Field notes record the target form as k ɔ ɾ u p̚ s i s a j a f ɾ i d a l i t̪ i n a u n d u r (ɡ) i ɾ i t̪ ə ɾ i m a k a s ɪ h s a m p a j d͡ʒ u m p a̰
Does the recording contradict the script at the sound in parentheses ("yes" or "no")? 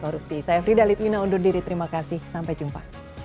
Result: yes